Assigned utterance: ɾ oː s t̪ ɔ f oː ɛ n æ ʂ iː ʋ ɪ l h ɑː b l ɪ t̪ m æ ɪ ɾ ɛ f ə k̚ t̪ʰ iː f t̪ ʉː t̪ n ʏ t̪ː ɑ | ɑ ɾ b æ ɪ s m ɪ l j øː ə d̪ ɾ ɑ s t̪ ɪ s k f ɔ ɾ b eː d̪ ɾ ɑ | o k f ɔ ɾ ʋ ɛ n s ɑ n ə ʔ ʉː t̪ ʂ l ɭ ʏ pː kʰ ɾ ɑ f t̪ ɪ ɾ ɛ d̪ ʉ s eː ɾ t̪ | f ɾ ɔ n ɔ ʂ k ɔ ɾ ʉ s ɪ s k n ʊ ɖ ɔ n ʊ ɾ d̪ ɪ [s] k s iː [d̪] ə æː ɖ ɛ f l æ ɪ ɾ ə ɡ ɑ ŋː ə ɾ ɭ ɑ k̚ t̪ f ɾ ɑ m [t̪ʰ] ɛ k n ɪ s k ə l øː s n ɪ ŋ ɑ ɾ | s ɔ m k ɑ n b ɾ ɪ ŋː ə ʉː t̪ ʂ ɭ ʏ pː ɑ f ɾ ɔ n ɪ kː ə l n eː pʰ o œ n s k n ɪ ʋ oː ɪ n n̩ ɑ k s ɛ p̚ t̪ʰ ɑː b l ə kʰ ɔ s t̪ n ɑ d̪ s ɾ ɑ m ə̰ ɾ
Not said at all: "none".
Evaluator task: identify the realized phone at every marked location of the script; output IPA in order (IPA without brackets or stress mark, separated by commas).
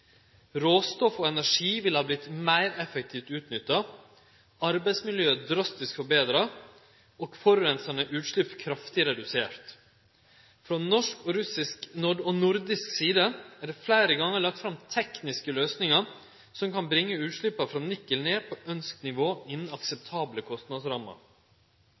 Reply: s, d̪, t̪ʰ